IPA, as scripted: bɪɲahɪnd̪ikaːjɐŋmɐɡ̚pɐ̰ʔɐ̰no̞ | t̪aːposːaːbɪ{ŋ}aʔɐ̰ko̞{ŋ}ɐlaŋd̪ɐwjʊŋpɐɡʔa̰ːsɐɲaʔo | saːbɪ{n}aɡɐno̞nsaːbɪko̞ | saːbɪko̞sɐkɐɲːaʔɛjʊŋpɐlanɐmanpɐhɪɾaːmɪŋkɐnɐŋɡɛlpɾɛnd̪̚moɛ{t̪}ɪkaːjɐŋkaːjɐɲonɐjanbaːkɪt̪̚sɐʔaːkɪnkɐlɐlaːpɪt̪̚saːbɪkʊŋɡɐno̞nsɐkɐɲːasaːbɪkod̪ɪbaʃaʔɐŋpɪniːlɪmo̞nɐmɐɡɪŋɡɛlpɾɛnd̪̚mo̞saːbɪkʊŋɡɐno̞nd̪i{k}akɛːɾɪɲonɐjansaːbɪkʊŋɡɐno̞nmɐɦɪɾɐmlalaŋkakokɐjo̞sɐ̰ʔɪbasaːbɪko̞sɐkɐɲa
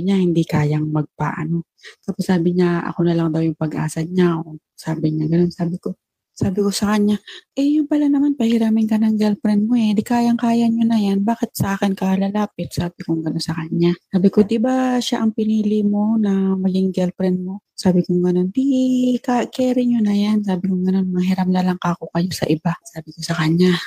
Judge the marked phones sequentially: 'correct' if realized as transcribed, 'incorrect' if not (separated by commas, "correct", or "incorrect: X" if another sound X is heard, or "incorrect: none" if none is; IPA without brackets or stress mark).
incorrect: ɲ, incorrect: n, incorrect: ɲ, incorrect: d̪, correct